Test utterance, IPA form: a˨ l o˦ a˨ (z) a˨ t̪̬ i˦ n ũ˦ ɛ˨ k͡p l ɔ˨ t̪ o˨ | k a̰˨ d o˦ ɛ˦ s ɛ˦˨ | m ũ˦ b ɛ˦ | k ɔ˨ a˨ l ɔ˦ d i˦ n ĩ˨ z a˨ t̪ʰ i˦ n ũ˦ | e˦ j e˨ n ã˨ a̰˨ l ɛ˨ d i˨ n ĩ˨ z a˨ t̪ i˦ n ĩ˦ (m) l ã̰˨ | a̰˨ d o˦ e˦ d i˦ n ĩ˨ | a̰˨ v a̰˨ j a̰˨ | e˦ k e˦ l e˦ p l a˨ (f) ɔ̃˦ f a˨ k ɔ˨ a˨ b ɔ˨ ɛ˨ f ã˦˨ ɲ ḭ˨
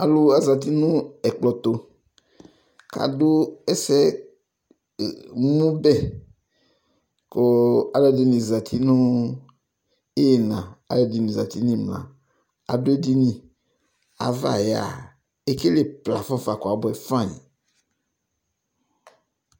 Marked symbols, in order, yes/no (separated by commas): yes, yes, yes